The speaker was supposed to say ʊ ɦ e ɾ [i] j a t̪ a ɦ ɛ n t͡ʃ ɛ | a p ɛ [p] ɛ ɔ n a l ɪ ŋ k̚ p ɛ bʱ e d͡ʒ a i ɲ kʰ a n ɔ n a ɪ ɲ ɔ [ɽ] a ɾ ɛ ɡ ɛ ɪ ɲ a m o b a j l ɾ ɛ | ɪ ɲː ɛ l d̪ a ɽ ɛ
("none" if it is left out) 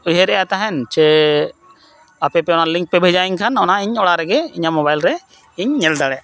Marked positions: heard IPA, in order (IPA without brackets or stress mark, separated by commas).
ɛ, p, ɽ